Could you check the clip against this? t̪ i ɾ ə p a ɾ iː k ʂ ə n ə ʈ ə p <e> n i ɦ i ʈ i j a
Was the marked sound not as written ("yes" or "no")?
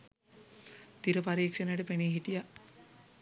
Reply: no